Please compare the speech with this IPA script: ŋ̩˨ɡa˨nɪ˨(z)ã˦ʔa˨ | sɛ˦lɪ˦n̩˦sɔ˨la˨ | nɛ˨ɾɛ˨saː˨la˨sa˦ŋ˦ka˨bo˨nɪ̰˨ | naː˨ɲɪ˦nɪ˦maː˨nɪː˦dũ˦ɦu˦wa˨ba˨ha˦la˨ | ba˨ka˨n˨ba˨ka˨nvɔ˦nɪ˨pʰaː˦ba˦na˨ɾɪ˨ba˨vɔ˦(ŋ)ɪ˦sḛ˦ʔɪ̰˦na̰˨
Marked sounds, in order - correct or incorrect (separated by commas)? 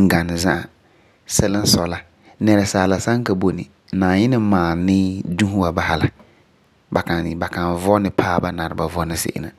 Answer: correct, incorrect